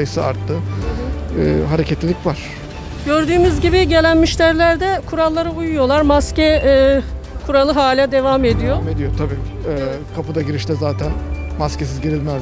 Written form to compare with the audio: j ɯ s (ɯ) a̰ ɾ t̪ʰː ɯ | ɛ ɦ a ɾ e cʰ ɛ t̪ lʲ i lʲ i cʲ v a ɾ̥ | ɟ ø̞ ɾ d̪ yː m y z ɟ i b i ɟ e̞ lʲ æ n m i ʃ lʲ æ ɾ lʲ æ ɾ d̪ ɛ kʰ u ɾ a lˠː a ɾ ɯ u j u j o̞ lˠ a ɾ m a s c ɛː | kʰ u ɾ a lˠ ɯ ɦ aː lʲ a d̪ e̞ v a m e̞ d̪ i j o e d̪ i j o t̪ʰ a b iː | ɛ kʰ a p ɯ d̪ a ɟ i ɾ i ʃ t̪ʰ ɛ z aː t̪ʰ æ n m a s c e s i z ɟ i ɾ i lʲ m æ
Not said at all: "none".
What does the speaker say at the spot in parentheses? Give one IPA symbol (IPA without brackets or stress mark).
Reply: ɯ